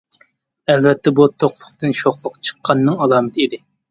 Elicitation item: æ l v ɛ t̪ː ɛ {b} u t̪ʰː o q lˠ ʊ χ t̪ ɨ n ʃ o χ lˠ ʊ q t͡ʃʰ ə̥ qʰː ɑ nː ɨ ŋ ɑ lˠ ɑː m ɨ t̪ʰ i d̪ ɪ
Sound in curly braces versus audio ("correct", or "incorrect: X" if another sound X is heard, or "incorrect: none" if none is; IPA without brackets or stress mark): correct